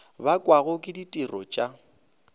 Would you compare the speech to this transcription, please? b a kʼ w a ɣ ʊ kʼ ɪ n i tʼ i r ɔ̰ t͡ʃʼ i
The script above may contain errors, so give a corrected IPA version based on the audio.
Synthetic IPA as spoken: b a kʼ w a ɣ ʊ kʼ ɪ d i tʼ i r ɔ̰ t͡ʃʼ a